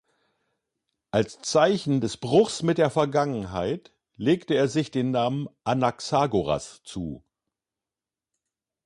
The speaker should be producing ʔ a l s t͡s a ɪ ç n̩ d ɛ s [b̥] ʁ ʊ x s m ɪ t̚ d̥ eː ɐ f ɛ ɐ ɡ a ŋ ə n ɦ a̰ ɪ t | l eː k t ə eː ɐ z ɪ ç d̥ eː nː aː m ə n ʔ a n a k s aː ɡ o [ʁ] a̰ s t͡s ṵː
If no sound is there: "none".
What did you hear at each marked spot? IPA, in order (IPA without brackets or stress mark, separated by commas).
b̥, ʁ